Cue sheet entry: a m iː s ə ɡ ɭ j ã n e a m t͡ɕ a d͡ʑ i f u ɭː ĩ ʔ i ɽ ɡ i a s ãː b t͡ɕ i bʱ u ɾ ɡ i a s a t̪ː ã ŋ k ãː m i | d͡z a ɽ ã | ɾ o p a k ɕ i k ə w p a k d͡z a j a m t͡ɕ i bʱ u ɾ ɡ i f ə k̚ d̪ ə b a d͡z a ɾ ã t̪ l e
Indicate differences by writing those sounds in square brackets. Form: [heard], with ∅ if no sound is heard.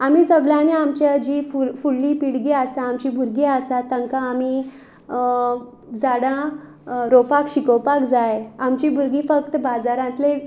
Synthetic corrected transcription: a m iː s ə ɡ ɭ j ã n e a m t͡ɕ a d͡ʑ i f u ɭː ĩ [p] i ɽ ɡ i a s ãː [m] t͡ɕ i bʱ u ɾ ɡ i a s a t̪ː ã ŋ k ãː m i | d͡z a ɽ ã | ɾ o p a k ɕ i k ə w p a k d͡z a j a m t͡ɕ i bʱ u ɾ ɡ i f ə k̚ [t̪] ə b a d͡z a ɾ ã t̪ l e